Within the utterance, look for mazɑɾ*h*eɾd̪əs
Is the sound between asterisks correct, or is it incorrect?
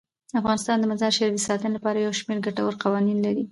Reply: incorrect